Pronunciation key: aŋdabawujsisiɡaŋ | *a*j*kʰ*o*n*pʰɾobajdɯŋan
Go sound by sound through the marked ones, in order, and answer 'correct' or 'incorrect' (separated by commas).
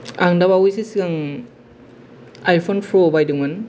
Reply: correct, incorrect, correct